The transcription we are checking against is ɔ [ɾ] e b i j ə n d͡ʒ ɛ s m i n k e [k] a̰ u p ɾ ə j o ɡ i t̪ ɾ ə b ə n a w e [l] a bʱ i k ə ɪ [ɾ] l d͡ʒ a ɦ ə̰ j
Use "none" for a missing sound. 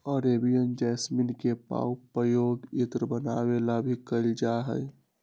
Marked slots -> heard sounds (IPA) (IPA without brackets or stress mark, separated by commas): ɾ, p, l, none